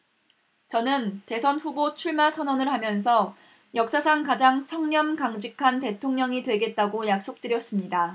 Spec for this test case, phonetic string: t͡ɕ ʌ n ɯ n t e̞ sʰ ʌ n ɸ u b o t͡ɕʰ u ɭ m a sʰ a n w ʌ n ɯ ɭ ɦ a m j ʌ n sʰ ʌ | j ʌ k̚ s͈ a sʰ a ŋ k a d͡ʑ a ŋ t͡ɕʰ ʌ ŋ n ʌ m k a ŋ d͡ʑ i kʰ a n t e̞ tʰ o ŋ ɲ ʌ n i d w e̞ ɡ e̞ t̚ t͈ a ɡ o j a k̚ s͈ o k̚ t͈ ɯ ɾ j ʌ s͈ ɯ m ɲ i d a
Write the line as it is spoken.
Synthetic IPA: t͡ɕ ʌ n ɯ n t e̞ sʰ ʌ n ɸ u b o t͡ɕʰ u ɭ m a sʰ ʌ n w ʌ n ɯ ɭ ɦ a m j ʌ n sʰ ʌ | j ʌ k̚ s͈ a sʰ a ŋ k a d͡ʑ a ŋ t͡ɕʰ ʌ ŋ ɲ ʌ m k a ŋ d͡ʑ i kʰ a n t e̞ tʰ o ŋ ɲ ʌ ŋ i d w e̞ ɡ e̞ t̚ t͈ a ɡ o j a k̚ s͈ o k̚ t͈ ɯ ɾ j ʌ s͈ ɯ m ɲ i d a